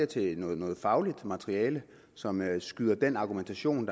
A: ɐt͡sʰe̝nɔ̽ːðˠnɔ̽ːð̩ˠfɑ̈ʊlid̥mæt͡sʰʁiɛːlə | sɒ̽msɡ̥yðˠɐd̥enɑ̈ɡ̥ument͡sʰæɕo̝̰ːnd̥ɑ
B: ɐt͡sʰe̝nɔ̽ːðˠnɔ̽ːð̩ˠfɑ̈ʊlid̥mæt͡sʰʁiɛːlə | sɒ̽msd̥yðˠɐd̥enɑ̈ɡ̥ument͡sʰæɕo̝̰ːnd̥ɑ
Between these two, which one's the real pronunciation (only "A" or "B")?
A